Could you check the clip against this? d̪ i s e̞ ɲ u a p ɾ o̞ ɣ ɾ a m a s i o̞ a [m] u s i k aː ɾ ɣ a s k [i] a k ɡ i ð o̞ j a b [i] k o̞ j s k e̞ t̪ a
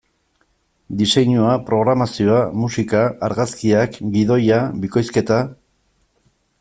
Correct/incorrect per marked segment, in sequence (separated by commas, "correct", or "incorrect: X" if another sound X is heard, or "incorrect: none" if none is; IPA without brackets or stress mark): correct, correct, correct